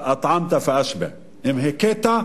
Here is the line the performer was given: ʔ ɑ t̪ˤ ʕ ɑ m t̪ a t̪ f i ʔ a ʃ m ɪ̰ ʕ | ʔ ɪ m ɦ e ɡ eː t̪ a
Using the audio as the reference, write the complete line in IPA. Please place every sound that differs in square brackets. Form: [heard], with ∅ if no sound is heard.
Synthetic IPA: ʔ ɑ t̪ˤ ʕ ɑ m t̪ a [∅] f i ʔ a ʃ [b] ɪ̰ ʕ | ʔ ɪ m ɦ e [k] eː t̪ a